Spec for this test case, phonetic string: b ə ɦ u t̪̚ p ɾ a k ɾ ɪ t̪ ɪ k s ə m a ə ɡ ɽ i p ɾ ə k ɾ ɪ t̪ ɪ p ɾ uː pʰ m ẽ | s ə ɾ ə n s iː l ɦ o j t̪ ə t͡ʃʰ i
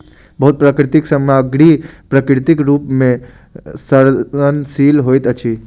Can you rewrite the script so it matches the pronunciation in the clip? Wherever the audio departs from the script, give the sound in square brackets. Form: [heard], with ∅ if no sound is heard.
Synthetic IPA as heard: b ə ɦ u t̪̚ p ɾ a k ɾ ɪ t̪ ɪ k s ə m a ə ɡ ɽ i p ɾ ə k ɾ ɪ t̪ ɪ [k] ɾ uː [p] m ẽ | s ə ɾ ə n s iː l ɦ o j t̪ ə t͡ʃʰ i